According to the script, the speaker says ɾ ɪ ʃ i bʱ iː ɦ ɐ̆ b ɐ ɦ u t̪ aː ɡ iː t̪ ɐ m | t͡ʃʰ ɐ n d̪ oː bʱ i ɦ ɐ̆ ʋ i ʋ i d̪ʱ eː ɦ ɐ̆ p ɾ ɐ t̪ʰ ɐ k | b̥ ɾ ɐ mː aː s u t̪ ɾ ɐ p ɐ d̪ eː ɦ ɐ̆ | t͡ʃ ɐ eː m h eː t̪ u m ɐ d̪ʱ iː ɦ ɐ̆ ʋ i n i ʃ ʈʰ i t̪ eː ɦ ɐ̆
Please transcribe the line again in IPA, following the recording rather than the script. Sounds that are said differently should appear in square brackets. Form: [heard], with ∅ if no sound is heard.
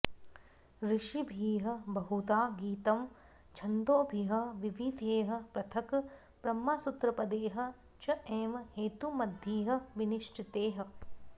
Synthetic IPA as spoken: ɾ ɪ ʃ i bʱ iː ɦ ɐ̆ b ɐ ɦ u t̪ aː ɡ iː t̪ ɐ m | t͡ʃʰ ɐ n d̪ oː bʱ i ɦ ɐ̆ ʋ i ʋ i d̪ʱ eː ɦ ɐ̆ p ɾ ɐ t̪ʰ ɐ k | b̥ ɾ ɐ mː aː s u t̪ ɾ ɐ p ɐ d̪ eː ɦ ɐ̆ | t͡ʃ ɐ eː m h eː t̪ u m ɐ d̪ʱ iː ɦ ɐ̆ ʋ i n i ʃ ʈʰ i t̪ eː ɦ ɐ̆